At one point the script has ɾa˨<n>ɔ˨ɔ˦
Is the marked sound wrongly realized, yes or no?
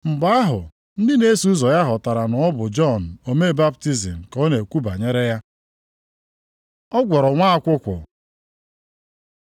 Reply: no